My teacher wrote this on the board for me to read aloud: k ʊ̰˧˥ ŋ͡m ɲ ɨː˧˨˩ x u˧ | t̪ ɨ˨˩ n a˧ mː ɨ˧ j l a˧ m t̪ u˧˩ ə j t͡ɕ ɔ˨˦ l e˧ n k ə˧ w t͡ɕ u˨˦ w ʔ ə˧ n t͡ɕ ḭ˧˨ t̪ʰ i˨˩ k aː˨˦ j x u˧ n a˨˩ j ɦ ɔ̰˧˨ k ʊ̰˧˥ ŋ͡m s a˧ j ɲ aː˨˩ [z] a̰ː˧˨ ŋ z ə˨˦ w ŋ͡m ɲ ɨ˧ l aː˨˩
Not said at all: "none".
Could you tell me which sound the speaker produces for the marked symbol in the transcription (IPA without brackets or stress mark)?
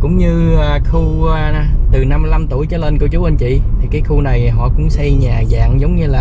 z